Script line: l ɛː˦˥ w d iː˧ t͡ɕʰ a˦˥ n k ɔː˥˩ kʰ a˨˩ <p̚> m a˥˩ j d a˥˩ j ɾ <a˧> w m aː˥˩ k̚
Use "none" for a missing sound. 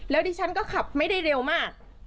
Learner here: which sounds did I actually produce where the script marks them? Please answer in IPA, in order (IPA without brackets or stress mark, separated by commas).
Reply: p̚, e˧